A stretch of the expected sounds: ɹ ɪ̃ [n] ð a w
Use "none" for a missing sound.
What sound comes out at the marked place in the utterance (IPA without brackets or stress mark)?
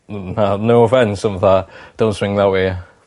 ŋ